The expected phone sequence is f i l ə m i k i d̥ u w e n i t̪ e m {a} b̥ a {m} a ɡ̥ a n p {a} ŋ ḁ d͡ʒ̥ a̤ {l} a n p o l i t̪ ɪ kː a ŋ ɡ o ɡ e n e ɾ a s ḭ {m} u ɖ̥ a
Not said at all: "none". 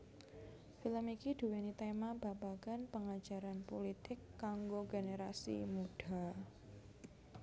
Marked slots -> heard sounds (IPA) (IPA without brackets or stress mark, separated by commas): a, b, ə, ɾ, m